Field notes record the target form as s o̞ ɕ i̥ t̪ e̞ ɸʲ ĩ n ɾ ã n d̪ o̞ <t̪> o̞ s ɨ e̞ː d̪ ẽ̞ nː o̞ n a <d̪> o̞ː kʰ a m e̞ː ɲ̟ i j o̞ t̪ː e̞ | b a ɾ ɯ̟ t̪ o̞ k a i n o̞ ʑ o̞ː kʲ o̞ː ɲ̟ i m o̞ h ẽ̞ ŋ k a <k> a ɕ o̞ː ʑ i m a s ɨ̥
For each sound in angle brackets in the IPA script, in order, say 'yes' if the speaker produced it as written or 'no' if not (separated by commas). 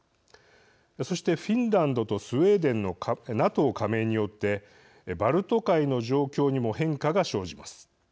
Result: yes, no, no